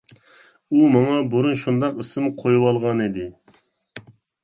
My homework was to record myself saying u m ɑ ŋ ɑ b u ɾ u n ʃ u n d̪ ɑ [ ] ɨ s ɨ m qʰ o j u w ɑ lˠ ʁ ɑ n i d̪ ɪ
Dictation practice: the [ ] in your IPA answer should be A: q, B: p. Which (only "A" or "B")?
A